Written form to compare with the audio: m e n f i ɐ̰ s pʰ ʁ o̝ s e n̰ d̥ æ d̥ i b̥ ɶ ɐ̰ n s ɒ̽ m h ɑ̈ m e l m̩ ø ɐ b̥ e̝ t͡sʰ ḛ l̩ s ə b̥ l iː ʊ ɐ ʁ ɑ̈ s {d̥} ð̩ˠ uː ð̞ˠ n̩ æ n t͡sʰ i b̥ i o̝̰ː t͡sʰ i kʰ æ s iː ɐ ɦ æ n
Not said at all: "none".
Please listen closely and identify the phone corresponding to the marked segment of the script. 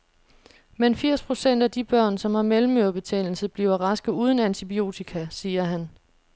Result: ɡ̥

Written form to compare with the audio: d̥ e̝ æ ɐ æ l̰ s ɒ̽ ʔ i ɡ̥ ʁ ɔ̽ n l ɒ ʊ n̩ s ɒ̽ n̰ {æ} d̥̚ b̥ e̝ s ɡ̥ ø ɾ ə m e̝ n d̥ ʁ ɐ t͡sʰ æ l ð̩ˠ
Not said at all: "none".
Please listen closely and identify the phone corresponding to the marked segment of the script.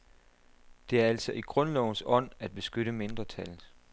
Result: æ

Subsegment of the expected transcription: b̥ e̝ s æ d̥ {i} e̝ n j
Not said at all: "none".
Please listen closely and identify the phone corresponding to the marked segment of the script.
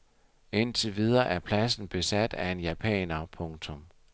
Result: æ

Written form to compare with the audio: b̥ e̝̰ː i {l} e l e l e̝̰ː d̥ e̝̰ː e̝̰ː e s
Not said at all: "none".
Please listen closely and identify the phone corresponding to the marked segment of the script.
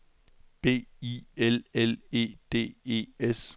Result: none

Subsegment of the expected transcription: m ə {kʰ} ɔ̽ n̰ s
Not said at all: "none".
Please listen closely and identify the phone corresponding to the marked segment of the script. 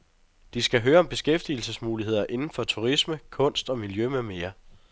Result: kʰ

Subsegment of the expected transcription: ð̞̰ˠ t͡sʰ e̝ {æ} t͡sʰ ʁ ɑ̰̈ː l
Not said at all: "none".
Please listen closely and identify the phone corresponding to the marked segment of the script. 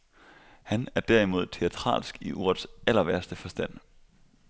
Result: æ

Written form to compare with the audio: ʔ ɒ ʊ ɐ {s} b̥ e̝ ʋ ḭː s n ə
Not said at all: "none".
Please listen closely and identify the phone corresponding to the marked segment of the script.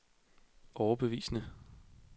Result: none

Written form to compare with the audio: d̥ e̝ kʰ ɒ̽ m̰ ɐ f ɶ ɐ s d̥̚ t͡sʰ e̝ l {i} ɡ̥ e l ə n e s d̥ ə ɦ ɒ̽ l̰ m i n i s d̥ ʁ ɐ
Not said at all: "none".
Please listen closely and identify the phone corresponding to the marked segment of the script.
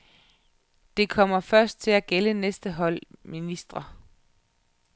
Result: æ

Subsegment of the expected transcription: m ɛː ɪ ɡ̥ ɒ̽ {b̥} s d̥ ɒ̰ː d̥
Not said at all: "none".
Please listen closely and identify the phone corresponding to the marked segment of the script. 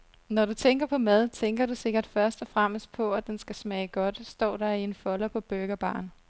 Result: d̥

